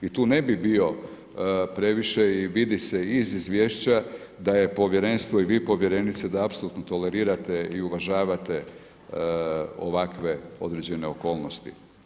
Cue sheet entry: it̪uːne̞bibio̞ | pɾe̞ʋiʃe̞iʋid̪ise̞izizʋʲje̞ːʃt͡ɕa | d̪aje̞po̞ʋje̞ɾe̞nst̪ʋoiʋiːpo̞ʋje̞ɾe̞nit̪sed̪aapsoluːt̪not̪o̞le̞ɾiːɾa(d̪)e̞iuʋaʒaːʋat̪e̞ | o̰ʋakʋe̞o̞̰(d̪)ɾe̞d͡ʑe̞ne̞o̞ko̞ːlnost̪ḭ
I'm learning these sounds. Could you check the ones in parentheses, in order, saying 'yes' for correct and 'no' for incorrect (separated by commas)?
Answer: no, yes